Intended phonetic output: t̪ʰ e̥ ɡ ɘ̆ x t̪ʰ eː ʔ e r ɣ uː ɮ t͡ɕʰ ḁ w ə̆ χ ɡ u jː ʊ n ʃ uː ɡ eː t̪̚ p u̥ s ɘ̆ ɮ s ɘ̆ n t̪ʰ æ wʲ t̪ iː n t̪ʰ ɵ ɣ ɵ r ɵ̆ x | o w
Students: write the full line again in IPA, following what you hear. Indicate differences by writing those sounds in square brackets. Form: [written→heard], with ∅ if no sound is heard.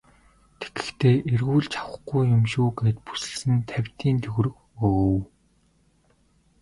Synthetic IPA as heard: t̪ʰ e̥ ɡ ɘ̆ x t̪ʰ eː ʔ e r ɣ uː ɮ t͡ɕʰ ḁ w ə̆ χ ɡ u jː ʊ [n→m] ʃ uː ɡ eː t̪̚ p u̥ s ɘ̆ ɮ s ɘ̆ n t̪ʰ æ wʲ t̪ iː n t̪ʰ ɵ ɣ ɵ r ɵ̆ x | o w